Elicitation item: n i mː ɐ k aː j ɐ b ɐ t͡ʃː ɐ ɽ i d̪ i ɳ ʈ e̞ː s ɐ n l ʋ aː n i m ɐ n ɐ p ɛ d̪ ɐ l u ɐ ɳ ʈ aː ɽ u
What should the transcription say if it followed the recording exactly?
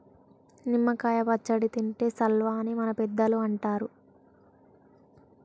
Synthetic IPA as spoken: n i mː ɐ k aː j ɐ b ɐ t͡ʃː ɐ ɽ i t̪ i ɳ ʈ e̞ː s ɐ l ʋ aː n i m ɐ n ɐ p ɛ d̪ː ɐ l u ɐ ɳ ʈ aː ɾ u

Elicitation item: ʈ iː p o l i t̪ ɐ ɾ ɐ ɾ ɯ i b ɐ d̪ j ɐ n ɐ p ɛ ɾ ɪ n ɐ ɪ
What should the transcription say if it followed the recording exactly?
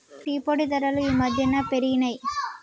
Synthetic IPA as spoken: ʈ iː p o ɽ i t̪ ɐ ɾ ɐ l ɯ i m ɐ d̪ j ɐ n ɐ p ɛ ɾ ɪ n ɐ ɪ

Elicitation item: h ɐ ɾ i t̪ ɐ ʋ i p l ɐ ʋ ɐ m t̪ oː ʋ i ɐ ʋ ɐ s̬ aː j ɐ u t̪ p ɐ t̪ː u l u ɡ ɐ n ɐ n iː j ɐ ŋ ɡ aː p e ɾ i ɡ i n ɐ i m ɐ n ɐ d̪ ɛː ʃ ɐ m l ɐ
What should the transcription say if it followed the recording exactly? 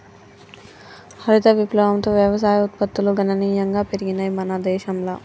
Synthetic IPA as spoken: h ɐ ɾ i t̪ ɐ ʋ i p l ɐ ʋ ɐ m t̪ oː ʋ j ɐ ʋ ɐ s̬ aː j ɐ u t̪ p ɐ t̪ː u l u ɡ ɐ n ɐ n iː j ɐ ŋ ɡ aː p e ɾ i ɡ i n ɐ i m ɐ n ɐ d̪ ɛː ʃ ɐ m l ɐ

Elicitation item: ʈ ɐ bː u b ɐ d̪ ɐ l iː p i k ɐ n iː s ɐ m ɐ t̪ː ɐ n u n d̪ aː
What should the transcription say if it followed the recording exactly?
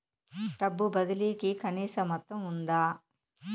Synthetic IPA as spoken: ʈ ɐ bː u b ɐ d̪ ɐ l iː k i k ɐ n iː s ɐ m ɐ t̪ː ɐ m u n d̪ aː

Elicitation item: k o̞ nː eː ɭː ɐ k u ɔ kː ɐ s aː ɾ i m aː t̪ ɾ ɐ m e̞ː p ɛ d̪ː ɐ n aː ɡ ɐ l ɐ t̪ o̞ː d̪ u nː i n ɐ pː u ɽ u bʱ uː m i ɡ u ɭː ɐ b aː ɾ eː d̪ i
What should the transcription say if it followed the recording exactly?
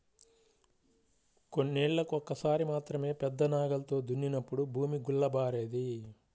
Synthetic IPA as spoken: k o̞ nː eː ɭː ɐ k u ɔ kː ɐ s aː ɾ i m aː t̪ ɾ ɐ m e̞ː p ɛ d̪ː ɐ n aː ɡ ɐ l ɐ t̪ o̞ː d̪ u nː i n ɐ pː u ɽ u bʱ uː m i ɡ u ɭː ɐ b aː ɾ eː d̪ i

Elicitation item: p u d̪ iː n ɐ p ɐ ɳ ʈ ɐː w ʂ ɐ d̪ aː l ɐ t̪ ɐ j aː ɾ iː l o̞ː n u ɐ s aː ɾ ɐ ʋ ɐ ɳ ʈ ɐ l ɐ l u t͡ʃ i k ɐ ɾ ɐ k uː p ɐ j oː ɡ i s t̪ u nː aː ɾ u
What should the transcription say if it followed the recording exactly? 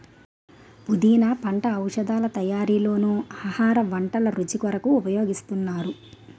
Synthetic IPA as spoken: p u d̪ iː n ɐ p ɐ ɳ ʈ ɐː w ʂ ɐ d̪ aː l ɐ t̪ ɐ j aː ɾ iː l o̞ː n u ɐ h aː ɾ ɐ ʋ ɐ ɳ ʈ ɐ l ɐ ɾ u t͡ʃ i k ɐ ɾ ɐ k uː p ɐ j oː ɡ i s t̪ u nː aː ɾ u

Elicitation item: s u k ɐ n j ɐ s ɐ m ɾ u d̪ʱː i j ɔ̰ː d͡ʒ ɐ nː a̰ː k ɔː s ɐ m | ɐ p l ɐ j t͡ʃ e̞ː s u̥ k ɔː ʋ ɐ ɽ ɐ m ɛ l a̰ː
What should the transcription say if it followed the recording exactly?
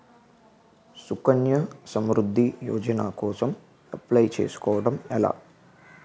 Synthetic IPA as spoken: s u k ɐ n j ɐ s ɐ m ɾ u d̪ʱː i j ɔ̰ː d͡ʒ ɐ n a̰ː k ɔː s ɐ m | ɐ p l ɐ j t͡ʃ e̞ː s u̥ k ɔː ʋ ɐ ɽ ɐ m ɛ l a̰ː

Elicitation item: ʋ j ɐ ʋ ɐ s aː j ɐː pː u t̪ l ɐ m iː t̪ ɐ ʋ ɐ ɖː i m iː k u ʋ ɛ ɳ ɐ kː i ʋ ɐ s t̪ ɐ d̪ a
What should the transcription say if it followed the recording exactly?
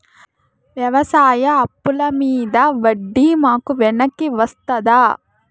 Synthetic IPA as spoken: ʋ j ɐ ʋ ɐ s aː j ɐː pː u l ɐ m iː d̪ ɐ ʋ ɐ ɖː i m aː k u ʋ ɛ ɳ ɐ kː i ʋ ɐ s t̪ ɐ d̪ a

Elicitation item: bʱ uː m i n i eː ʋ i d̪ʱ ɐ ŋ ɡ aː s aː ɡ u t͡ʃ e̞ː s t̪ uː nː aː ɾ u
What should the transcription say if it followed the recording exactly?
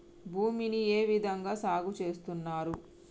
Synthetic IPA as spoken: bʱ uː m i n i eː ʋ i d̪ʱ ɐ ŋ ɡ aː s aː ɡ u t͡ʃ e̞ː s t̪ u nː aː ɾ u

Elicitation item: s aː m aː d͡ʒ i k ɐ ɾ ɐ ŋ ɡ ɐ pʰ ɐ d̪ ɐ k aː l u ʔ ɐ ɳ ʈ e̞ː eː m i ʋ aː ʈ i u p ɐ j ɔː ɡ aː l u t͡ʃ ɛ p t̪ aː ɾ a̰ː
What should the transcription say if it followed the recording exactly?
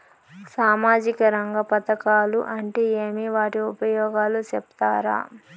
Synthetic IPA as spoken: s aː m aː d͡ʒ i k ɐ ɾ ɐ ŋ ɡ ɐ p ɐ t̪ ɐ k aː l u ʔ ɐ ɳ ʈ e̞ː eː m i ʋ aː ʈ i u p ɐ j ɔː ɡ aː l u t͡ʃ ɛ p t̪ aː ɾ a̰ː

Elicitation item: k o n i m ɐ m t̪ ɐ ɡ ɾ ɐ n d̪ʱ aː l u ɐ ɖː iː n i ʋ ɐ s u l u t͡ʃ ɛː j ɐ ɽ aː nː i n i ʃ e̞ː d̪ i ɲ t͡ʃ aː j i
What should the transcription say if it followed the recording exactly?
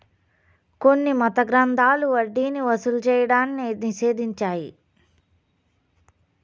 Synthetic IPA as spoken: k o nː i m ɐ t̪ ɐ ɡ ɾ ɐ n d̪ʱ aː l u ɐ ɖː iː n i ʋ ɐ s u l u t͡ʃ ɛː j ɐ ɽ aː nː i n i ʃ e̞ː d̪ i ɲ t͡ʃ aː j i

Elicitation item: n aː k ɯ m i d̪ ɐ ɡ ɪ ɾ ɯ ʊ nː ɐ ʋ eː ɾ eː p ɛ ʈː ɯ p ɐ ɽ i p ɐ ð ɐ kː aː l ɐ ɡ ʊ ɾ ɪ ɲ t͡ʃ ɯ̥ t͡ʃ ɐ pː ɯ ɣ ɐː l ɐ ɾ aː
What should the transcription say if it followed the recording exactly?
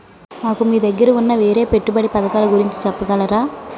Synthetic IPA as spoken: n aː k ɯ m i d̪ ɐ ɡ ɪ ɾ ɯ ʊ nː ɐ ʋ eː ɾ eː p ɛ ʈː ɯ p ɐ ɽ i p ɐ ð ɐ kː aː l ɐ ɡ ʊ ɾ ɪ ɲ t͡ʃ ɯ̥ t͡ʃ ɐ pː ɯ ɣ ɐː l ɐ ɾ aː

